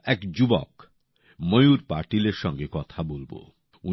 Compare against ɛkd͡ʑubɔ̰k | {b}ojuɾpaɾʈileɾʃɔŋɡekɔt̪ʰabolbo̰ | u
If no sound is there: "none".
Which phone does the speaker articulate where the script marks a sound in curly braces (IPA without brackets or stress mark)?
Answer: m